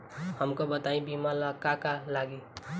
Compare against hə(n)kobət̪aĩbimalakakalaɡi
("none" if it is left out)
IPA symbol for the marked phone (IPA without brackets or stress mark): m